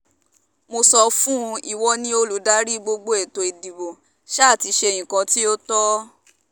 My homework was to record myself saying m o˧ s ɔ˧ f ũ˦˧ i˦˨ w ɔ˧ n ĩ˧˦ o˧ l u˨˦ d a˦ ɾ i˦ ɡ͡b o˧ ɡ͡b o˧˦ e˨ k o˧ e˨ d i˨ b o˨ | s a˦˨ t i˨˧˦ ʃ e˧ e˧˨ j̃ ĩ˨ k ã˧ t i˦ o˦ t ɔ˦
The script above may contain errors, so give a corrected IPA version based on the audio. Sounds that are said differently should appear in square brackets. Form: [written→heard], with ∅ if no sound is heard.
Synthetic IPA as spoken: m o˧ s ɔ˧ f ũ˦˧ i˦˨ w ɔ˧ n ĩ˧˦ o˧ l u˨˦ d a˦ ɾ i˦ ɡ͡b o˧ ɡ͡b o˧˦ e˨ [k→t] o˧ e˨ d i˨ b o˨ | [s→ʃ] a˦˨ t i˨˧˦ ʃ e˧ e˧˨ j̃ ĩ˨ k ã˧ t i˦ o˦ t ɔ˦